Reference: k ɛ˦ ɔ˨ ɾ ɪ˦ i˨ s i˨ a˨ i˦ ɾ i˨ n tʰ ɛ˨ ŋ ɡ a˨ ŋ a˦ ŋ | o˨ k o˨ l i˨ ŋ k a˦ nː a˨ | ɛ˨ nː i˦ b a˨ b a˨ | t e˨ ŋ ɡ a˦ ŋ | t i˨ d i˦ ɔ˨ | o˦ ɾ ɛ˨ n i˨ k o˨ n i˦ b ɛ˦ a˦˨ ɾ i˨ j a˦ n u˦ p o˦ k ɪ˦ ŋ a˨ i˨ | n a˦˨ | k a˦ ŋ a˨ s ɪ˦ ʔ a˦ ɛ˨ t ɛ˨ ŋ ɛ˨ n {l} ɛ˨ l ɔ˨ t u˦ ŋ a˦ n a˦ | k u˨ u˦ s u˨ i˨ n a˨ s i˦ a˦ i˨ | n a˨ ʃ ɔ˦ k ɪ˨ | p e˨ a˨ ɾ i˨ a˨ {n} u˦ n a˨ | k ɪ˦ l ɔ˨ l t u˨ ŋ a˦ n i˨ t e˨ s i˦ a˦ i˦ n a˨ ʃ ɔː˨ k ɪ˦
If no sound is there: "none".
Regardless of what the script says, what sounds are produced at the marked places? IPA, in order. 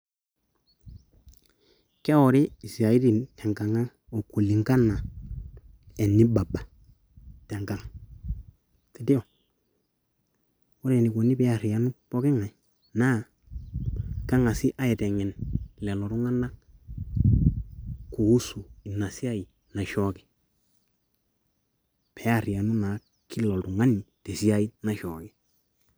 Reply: l, n

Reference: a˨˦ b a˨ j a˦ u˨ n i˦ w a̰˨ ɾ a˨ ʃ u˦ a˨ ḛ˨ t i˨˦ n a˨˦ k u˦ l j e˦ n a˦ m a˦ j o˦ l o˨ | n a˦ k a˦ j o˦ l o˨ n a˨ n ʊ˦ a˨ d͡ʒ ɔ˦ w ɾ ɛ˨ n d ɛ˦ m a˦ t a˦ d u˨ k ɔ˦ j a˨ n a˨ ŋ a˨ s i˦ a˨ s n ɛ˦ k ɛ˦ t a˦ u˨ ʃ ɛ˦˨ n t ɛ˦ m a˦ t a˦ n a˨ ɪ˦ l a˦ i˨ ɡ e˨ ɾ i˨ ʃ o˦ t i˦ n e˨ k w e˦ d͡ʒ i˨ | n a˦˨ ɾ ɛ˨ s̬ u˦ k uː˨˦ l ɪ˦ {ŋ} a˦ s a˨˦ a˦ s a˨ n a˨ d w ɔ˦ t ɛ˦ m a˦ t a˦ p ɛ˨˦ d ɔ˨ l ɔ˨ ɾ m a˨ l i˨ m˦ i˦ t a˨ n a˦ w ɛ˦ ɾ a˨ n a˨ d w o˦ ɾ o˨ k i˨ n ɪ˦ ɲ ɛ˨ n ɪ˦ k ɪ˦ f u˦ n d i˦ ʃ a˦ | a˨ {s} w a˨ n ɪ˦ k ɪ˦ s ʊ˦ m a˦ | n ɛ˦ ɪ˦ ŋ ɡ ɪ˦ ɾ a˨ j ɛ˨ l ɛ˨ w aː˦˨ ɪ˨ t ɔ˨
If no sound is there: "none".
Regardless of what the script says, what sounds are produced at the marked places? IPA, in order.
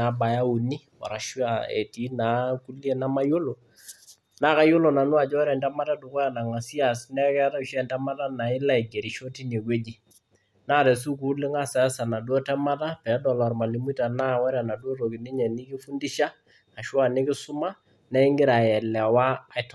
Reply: ŋ, ʃ

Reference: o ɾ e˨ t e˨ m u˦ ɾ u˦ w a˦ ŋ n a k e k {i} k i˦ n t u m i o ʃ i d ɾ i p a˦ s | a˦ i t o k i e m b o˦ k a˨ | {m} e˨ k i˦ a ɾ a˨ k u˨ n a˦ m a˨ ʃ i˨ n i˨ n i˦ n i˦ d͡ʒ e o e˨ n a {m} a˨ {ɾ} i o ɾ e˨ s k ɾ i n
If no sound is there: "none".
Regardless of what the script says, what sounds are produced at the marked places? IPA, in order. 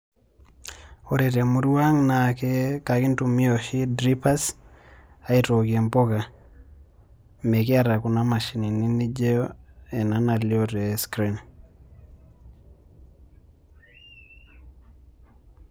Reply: a, m, n, l

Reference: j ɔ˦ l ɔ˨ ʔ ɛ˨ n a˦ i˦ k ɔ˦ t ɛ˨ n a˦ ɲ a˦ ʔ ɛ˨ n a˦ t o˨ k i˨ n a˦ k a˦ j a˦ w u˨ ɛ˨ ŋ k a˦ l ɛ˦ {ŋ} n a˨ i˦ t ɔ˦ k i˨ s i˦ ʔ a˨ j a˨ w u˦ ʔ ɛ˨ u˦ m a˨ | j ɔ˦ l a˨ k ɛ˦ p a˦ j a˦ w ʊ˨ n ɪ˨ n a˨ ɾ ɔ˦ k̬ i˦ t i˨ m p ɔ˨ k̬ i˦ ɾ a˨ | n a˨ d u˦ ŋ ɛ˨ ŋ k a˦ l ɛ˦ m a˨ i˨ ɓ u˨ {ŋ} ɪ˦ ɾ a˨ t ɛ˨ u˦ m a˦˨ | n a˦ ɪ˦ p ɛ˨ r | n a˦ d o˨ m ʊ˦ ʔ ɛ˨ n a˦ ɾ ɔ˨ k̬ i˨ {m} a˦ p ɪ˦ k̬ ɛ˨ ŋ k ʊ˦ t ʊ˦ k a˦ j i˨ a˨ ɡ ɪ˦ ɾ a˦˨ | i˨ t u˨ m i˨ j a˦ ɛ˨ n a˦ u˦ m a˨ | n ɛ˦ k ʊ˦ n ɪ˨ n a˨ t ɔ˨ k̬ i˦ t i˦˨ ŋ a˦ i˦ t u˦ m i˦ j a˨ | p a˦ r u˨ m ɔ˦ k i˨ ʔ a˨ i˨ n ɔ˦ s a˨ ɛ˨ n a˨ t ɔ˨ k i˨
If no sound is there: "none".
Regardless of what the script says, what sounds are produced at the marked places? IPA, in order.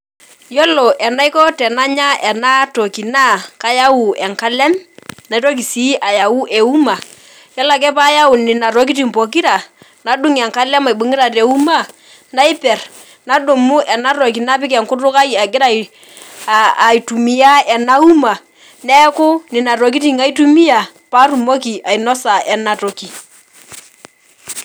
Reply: m, ŋ, n

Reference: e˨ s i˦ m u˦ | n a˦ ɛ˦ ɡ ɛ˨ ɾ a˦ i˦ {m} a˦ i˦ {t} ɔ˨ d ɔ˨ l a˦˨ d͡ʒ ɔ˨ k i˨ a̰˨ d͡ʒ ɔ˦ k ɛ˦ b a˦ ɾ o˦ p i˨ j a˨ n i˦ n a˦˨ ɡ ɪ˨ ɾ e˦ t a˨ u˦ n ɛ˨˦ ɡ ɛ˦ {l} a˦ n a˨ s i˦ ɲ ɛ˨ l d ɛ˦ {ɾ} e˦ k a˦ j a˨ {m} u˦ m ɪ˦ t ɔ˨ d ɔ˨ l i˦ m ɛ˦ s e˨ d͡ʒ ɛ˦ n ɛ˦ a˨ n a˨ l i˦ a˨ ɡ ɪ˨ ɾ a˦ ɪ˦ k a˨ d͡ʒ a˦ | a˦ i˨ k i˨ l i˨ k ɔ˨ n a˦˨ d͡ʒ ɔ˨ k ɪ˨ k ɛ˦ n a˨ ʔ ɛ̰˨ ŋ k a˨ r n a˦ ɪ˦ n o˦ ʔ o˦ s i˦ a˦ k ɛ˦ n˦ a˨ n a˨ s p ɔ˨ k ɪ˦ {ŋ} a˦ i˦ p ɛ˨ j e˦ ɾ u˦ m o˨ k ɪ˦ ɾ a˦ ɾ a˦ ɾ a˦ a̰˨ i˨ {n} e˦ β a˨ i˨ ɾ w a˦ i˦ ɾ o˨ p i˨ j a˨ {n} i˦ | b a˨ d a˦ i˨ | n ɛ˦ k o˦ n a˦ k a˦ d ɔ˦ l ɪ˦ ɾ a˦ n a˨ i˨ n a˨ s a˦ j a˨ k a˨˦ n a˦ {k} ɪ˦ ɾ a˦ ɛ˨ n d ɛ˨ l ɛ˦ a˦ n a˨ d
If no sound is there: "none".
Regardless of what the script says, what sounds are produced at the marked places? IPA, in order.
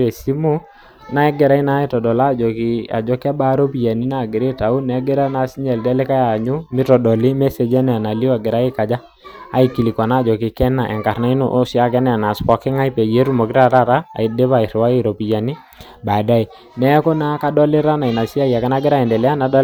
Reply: n, t, ɾ, l, ɲ, ŋ, d, n, ɡ

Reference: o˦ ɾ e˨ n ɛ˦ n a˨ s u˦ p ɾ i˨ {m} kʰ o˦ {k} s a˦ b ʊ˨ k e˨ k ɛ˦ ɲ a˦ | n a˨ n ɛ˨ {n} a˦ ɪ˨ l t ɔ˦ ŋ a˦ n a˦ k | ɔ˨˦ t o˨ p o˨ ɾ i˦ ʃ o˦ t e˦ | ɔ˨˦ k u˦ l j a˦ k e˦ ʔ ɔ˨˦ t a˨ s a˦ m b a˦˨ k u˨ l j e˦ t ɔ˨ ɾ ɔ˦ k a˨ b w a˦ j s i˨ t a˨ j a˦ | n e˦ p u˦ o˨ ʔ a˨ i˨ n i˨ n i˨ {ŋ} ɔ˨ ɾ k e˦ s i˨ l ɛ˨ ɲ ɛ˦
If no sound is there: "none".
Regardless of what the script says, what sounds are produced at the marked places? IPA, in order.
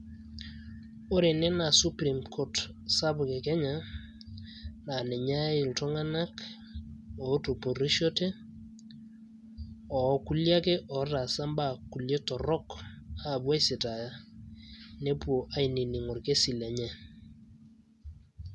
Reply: m, t, ɲ, ŋ

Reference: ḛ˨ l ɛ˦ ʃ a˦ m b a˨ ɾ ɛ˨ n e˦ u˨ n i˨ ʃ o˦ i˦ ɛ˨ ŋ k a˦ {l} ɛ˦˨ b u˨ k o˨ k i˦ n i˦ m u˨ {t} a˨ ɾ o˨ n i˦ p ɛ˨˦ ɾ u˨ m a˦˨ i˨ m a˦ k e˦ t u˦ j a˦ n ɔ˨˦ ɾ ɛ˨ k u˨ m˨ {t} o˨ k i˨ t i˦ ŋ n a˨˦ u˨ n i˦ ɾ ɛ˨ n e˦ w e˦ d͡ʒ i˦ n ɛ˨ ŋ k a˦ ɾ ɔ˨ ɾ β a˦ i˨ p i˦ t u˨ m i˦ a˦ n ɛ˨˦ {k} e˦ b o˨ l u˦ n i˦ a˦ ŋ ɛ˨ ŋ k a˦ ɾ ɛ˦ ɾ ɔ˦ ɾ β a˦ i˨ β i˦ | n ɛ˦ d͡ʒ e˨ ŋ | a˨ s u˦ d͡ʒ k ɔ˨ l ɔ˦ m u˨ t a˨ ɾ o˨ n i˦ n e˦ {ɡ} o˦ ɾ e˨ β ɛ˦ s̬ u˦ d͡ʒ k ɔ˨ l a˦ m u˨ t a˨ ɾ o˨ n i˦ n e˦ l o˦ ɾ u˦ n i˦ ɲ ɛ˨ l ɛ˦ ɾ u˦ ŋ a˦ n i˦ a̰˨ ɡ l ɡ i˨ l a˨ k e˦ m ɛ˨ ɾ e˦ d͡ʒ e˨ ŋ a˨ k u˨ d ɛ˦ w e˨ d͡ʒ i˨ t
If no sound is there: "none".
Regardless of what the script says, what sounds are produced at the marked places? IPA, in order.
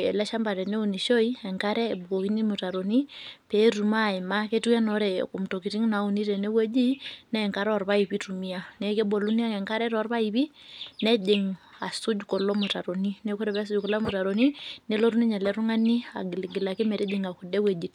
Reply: ɾ, t, t, k, k

